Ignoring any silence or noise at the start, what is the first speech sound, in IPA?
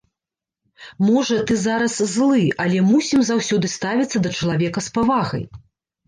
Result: m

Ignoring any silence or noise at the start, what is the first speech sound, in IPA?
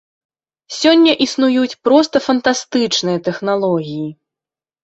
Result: sʲ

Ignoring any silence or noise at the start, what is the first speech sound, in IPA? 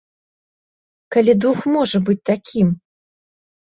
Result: k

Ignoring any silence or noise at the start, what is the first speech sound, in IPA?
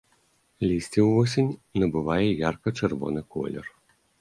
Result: lʲ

